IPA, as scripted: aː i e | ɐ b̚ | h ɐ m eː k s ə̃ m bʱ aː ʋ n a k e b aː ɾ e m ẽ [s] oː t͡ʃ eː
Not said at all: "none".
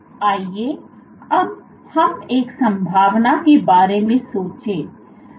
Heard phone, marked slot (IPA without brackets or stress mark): s